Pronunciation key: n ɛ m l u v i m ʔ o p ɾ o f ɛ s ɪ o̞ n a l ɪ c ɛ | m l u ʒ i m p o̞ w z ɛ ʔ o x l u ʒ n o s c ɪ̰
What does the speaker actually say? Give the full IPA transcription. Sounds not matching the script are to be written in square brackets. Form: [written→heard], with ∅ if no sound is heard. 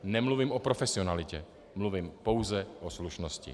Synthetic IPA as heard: n ɛ m l u v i m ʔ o p ɾ o f ɛ s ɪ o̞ n a l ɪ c ɛ | m l u [ʒ→v] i m p o̞ w z ɛ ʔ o [x→s] l u [ʒ→ʃ] n o s c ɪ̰

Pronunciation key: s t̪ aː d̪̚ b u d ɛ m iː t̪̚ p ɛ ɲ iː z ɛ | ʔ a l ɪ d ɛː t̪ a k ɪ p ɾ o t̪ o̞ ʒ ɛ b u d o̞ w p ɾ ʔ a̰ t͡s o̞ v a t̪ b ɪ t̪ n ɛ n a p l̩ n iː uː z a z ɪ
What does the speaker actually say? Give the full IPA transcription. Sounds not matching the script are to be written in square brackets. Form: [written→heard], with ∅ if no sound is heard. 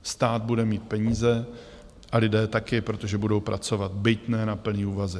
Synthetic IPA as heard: s t̪ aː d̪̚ b u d ɛ m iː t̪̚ p ɛ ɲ iː z ɛ | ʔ a l ɪ d ɛː t̪ a k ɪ p ɾ o t̪ o̞ ʒ ɛ b u d o̞ w p ɾ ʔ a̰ t͡s o̞ v a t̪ b ɪ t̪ n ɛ n a p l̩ n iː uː [z→v] a z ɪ

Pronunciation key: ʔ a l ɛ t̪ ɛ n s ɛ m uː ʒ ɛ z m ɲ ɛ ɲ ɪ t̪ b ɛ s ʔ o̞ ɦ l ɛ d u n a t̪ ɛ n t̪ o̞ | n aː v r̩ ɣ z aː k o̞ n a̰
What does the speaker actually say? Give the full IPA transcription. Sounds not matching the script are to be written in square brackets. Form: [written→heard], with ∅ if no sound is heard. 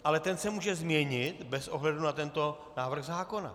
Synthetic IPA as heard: ʔ a l ɛ t̪ ɛ n s ɛ m uː ʒ ɛ z m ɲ ɛ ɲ ɪ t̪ b ɛ s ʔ o̞ ɦ l ɛ d u n a t̪ ɛ n t̪ o̞ | n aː v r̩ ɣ z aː k o̞ n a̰

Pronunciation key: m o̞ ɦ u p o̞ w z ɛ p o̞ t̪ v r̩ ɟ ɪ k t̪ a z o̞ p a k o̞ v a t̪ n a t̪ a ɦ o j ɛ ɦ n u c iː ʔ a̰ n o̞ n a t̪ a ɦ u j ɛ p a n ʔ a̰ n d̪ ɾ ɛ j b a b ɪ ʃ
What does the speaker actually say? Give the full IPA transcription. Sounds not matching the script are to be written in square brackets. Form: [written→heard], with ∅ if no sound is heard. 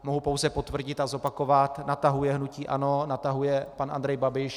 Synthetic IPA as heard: m o̞ ɦ u p o̞ w z ɛ p o̞ t̪ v r̩ ɟ ɪ [k→∅] t̪ a z o̞ p a k o̞ v a t̪ n a t̪ a ɦ [o→u] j ɛ ɦ n u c iː ʔ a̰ n o̞ n a t̪ a ɦ u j ɛ p a n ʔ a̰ n d̪ ɾ ɛ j b a b ɪ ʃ

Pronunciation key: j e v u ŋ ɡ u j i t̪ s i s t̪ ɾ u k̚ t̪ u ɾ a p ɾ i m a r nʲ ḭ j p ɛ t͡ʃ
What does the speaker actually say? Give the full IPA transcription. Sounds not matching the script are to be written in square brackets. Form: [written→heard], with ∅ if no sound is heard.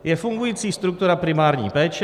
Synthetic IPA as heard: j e [v→f] u ŋ ɡ u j i t̪ s i s t̪ ɾ u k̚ t̪ u ɾ a p ɾ i m a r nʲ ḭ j p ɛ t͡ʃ

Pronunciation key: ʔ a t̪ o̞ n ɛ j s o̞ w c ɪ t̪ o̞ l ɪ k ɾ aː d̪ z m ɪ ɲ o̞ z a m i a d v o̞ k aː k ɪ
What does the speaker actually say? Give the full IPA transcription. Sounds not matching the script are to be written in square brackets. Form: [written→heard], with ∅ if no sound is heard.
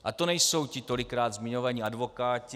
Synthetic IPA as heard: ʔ a t̪ o̞ n ɛ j s o̞ w c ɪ t̪ o̞ l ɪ k ɾ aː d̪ z m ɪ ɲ o̞ [z→v] a [m→ɲ] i a d v o̞ k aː [k→c] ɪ

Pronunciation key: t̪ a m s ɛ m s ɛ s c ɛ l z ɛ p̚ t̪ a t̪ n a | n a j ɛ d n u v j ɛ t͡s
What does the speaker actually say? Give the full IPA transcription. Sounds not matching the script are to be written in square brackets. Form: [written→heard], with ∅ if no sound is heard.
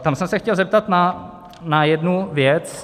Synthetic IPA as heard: t̪ a m s ɛ m s ɛ [s→x] c ɛ l z ɛ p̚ t̪ a t̪ n a | n a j ɛ d n u v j ɛ t͡s

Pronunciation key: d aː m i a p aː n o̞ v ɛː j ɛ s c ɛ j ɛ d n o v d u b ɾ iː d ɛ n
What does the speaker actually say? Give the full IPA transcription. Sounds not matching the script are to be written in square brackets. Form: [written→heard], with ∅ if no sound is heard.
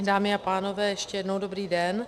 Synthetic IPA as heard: d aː m [i→ɪ] a p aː n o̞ v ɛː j ɛ [s→ʃ] c ɛ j ɛ d n o [v→w] d [u→o] b ɾ iː d ɛ n

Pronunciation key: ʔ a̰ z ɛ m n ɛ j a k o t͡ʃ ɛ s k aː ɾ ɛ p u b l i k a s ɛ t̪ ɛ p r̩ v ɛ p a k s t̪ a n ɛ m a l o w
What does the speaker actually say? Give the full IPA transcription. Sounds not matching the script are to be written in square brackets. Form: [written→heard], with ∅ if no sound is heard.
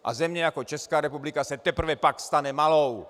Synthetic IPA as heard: ʔ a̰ z ɛ m [n→ɲ] ɛ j a k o t͡ʃ ɛ s k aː ɾ ɛ p u b l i k a s ɛ t̪ ɛ p r̩ v ɛ p a k s t̪ a n ɛ m a l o w

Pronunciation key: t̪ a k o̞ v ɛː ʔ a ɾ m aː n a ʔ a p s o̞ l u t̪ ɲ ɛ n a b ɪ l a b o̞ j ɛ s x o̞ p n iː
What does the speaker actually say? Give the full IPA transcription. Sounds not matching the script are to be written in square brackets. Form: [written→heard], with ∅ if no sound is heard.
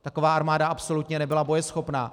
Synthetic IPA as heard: t̪ a k o̞ v [ɛː→aː] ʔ a ɾ m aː [n→d] a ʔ a p s o̞ l u t̪ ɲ ɛ n [a→ɛ] b ɪ l a b o̞ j ɛ s x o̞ p n [iː→aː]

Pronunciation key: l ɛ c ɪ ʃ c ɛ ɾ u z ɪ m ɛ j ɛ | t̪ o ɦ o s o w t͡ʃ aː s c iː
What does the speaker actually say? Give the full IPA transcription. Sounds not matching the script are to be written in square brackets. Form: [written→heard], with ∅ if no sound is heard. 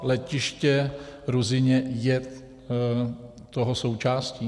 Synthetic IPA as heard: l ɛ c ɪ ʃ c ɛ ɾ u z ɪ [m→ɲ] ɛ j ɛ | t̪ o ɦ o s o w t͡ʃ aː s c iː

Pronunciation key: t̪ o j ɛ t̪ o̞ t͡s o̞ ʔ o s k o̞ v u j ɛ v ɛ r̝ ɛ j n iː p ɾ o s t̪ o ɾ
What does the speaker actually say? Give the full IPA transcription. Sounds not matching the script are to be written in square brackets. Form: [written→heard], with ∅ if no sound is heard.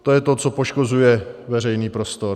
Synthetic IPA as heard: t̪ o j ɛ t̪ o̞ t͡s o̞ [ʔ→p] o [s→ʃ] k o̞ [v→z] u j ɛ v ɛ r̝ ɛ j n iː p ɾ o s t̪ o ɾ

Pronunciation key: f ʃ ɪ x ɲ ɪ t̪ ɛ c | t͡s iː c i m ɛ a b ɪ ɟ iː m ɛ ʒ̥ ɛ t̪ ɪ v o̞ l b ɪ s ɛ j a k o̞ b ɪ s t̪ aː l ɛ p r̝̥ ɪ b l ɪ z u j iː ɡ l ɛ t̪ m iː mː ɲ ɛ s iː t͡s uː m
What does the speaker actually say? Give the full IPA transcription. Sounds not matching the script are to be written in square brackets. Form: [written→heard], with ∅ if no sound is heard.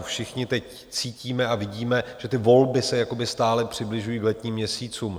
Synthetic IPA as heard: f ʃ ɪ x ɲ ɪ t̪ ɛ c | t͡s iː c [i→iː] m ɛ a [b→v] ɪ ɟ iː m ɛ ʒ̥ ɛ t̪ ɪ v o̞ l b ɪ s ɛ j a k o̞ b ɪ s t̪ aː l ɛ p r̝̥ ɪ b l ɪ [z→ʒ] u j iː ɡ l ɛ t̪ [m→ɲ] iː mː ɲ ɛ s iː t͡s uː m

